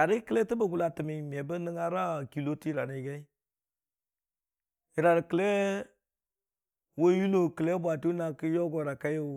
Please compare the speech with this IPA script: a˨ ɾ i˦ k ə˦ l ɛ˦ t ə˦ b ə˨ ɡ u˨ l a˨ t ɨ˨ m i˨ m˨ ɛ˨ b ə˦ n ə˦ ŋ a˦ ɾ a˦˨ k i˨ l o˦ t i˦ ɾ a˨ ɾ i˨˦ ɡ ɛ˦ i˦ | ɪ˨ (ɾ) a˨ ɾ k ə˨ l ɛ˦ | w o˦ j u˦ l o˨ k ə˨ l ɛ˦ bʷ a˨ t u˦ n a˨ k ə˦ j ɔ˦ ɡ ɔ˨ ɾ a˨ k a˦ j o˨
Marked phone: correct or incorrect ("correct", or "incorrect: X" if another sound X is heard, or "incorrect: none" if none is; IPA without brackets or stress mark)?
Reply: correct